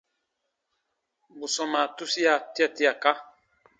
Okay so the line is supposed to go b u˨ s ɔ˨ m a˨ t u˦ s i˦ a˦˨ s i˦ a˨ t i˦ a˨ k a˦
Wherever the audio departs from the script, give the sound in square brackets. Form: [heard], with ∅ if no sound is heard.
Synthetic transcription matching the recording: b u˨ s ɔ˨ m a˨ t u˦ s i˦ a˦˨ [t] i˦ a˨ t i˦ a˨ k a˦

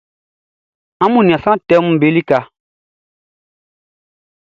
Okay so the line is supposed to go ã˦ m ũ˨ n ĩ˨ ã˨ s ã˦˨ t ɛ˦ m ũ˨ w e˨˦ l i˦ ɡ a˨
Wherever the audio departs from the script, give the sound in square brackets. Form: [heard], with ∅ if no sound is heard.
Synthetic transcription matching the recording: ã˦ m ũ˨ n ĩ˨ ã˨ s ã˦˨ t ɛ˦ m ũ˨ [b] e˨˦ l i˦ [k] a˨

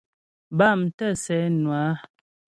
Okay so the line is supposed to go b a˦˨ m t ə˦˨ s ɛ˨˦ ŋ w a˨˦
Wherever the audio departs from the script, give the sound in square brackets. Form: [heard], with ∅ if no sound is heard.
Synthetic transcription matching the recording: b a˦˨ m t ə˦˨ s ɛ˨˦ [n] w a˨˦

